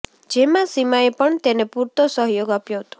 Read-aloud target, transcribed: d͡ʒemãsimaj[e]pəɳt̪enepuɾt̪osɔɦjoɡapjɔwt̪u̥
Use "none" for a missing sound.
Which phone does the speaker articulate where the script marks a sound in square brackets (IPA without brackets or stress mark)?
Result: e